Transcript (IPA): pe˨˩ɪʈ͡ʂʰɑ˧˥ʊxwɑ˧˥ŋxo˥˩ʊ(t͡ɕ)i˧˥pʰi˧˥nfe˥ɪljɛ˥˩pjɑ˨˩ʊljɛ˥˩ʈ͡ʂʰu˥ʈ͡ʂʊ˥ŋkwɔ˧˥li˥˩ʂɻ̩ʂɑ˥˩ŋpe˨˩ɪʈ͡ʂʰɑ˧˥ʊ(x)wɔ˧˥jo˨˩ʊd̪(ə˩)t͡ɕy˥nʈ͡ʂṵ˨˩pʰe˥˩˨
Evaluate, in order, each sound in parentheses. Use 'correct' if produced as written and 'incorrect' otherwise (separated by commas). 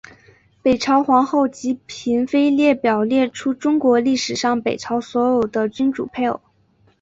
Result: correct, incorrect, incorrect